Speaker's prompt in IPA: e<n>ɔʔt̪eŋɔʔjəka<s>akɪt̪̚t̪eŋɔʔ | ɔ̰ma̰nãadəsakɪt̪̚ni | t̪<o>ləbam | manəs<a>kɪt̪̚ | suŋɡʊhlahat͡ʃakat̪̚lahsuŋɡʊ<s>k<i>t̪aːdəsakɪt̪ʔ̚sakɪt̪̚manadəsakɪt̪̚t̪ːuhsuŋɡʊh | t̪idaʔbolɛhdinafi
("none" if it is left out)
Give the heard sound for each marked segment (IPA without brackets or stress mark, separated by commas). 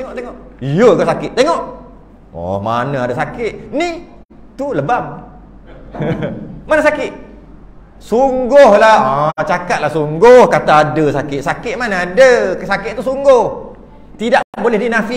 ŋ, s, u, a, h, a